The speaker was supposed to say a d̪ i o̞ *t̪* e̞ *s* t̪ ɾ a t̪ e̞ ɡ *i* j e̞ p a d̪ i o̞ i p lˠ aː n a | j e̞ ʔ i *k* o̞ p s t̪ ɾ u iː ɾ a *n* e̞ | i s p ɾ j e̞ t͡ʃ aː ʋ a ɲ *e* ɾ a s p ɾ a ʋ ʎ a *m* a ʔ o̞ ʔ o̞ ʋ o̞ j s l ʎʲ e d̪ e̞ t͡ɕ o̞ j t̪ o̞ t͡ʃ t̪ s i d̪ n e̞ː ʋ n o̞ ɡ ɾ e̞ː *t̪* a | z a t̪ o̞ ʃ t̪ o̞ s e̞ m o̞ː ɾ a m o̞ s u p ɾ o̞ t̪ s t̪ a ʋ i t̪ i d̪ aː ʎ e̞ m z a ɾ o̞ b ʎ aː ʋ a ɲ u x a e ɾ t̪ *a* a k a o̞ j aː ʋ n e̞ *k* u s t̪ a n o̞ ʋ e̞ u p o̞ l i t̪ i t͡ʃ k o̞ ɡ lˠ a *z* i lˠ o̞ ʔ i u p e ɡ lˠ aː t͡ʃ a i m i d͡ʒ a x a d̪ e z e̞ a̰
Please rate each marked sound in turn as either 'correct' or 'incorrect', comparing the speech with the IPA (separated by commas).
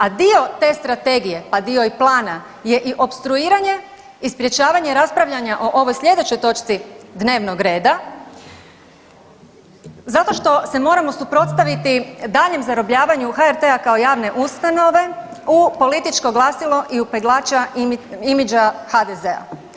correct, correct, correct, incorrect, incorrect, correct, incorrect, incorrect, incorrect, incorrect, incorrect